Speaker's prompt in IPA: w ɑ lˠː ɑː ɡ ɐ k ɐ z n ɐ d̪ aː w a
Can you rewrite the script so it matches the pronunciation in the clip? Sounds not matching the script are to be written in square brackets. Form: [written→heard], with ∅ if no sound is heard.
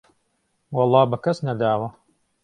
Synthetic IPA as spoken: w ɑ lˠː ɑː [ɡ→b] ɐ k ɐ [z→s] n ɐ d̪ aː w [a→ɐ]